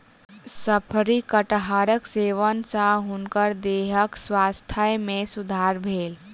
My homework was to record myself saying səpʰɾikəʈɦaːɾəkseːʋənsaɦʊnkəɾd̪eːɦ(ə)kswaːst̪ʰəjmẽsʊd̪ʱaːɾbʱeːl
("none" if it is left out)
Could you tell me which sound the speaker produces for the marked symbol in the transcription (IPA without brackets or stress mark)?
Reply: ə